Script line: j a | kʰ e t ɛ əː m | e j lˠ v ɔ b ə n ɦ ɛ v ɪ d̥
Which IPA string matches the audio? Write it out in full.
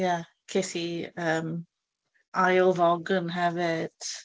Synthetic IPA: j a | kʰ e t i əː m | a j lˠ v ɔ ɡ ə n ɦ ɛ v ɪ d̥